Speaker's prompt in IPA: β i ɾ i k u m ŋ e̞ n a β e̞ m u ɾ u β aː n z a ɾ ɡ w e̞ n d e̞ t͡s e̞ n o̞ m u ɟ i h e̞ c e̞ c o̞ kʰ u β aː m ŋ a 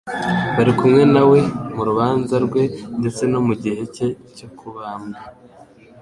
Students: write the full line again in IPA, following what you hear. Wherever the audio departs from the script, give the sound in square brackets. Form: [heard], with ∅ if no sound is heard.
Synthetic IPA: β [a] ɾ i k u m ŋ e̞ n a [w] e̞ m u ɾ u β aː n z a ɾ ɡ w e̞ n d e̞ t͡s e̞ n o̞ m u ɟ i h e̞ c e̞ c o̞ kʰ u β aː m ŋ a